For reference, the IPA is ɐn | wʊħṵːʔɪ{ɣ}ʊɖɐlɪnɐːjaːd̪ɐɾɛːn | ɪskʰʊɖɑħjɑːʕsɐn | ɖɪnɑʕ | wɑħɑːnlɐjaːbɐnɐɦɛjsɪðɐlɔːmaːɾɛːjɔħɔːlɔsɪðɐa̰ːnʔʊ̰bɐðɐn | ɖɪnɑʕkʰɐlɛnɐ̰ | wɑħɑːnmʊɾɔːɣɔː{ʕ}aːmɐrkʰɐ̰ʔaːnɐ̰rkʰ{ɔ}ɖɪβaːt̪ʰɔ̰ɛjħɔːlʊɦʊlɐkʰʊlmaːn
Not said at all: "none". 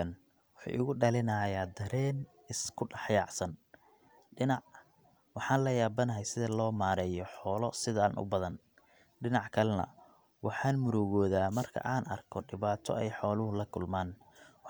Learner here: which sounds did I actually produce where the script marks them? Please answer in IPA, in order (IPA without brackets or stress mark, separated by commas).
ɣ, ð, ɔ